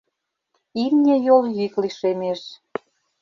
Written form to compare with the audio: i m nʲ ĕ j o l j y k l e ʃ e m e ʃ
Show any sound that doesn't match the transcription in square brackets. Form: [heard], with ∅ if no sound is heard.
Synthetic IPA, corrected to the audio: i m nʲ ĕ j o l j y k l [i] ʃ e m e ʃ